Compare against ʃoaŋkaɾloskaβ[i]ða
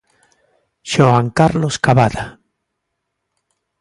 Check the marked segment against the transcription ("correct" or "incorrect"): incorrect